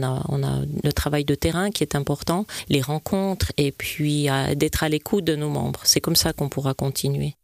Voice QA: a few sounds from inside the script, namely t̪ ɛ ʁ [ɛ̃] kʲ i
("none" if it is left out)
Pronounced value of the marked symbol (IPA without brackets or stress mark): ɛ̃